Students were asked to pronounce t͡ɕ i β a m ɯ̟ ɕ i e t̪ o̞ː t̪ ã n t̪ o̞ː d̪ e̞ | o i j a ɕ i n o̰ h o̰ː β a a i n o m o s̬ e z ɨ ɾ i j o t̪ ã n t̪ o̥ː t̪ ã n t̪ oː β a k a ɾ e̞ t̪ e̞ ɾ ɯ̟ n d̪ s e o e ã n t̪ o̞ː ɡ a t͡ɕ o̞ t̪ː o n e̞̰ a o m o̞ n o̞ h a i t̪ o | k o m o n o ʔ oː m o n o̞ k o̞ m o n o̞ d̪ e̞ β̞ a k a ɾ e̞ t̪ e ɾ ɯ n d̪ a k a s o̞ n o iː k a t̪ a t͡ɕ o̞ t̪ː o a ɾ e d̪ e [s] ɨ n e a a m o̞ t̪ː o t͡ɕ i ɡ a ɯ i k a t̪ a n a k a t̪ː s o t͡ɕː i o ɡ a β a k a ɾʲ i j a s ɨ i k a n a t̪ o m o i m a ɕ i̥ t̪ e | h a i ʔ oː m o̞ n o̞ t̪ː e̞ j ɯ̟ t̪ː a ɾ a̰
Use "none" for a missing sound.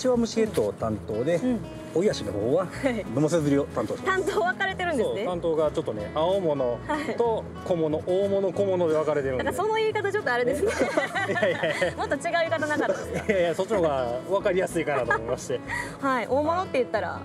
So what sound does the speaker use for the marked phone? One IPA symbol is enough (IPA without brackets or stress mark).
s